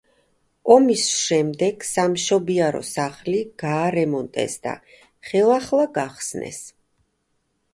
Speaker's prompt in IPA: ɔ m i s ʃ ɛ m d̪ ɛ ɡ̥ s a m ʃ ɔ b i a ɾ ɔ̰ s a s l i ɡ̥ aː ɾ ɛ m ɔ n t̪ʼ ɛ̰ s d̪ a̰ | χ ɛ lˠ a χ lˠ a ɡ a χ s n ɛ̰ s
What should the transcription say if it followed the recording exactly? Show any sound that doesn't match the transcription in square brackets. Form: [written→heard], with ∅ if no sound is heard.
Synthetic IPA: ɔ m i s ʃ ɛ m d̪ ɛ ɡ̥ s a m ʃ ɔ b i a ɾ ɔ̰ s a [s→χ] l i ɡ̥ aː ɾ ɛ m ɔ n t̪ʼ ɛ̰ s d̪ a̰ | χ ɛ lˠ a χ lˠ a ɡ a χ s n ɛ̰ s